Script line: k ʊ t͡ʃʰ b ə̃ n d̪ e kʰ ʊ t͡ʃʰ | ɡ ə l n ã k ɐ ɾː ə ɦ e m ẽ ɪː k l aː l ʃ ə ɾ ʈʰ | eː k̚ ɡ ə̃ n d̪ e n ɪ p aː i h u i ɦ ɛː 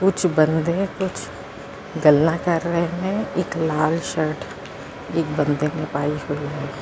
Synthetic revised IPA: k ʊ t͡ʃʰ b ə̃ n d̪ e k ʊ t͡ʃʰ | ɡ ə l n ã k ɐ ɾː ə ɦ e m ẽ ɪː k l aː l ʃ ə ɾ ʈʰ | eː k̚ b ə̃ n d̪ e n ɪ p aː i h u i ɦ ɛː